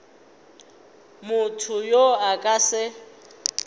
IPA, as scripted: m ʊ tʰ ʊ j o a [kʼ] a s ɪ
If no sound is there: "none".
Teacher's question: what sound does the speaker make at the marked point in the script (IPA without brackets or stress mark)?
kʼ